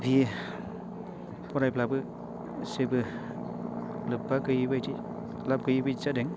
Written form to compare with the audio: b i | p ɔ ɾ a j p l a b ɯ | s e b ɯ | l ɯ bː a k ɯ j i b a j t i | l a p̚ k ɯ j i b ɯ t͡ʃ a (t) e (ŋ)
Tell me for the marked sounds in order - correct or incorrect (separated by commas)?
incorrect, correct